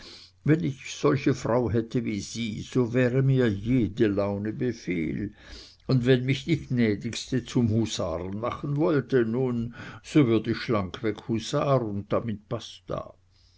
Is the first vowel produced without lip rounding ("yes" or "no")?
yes